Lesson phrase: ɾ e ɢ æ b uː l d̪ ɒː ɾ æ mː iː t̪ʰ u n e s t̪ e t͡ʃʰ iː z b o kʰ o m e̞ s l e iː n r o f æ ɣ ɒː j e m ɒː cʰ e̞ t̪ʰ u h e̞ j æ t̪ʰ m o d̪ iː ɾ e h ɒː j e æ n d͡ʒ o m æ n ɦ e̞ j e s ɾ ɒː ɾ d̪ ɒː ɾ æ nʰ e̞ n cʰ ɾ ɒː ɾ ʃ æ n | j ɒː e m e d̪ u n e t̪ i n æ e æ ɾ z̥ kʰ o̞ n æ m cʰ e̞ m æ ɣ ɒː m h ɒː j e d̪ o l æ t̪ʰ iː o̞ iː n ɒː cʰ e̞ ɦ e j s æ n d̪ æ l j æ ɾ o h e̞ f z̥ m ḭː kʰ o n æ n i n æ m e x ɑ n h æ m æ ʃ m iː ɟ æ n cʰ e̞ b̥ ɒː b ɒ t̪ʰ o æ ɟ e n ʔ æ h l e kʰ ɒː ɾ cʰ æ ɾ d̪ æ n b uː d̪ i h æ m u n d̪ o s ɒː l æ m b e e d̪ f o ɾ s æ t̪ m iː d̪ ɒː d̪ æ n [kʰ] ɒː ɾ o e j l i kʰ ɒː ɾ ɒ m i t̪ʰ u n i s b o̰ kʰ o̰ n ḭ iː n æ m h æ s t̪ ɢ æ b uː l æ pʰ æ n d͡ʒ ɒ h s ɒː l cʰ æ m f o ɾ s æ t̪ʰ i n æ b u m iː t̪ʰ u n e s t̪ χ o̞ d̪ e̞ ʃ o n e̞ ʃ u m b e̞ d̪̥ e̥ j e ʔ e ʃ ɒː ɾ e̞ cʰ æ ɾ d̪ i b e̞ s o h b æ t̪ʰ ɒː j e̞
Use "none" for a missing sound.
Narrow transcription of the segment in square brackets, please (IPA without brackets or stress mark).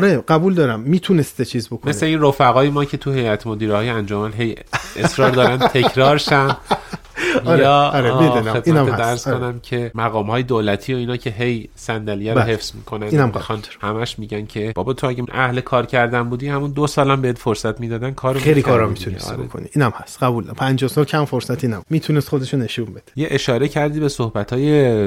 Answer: kʰ